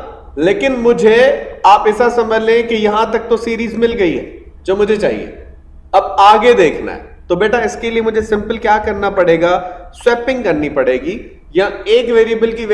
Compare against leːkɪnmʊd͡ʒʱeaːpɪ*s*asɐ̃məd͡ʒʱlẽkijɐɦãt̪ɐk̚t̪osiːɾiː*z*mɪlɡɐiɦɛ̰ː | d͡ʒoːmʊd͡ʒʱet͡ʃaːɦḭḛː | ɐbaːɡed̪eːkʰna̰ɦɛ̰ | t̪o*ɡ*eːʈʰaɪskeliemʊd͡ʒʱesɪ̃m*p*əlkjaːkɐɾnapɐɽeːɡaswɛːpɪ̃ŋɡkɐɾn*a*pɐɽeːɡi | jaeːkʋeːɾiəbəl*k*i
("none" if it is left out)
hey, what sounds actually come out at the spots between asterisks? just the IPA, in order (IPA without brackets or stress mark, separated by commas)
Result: s, z, b, p, i, k